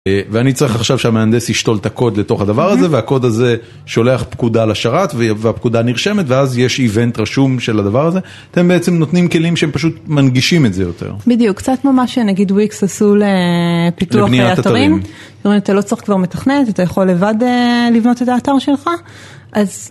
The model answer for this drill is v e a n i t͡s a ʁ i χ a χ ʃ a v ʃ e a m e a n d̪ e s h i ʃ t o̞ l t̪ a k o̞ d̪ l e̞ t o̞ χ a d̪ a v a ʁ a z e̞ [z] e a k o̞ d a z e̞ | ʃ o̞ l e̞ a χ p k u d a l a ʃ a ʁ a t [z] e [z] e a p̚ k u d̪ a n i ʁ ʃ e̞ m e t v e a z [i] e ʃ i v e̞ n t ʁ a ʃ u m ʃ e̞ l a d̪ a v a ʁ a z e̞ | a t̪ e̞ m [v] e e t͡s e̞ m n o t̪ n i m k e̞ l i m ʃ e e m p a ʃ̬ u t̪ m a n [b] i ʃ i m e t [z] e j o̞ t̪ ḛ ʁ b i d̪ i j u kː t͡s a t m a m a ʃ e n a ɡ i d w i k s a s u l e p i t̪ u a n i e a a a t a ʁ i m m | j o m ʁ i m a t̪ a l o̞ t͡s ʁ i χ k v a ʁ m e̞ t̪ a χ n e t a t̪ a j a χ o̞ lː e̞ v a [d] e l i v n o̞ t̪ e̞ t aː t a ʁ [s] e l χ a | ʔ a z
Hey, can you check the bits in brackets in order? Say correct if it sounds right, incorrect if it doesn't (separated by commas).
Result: incorrect, incorrect, incorrect, incorrect, incorrect, incorrect, correct, correct, incorrect